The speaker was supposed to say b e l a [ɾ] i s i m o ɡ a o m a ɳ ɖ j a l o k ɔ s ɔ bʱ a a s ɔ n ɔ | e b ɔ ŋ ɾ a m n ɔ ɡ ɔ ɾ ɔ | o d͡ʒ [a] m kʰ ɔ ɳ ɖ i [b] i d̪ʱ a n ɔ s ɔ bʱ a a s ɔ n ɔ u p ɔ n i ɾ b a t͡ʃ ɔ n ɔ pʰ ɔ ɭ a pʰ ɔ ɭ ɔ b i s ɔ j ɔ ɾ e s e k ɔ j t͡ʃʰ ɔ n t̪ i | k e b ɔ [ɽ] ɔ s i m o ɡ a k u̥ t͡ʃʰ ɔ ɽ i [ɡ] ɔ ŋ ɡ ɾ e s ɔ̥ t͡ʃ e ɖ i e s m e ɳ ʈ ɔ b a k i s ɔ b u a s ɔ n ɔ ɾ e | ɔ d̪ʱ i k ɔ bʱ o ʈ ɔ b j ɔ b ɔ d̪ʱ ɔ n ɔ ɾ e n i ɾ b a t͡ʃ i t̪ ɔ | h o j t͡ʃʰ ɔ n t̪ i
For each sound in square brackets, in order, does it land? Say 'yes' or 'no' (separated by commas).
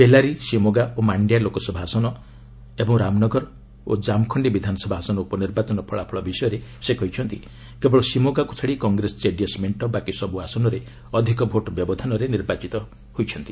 yes, yes, yes, no, no